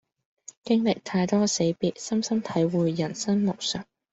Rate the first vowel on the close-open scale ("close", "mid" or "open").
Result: close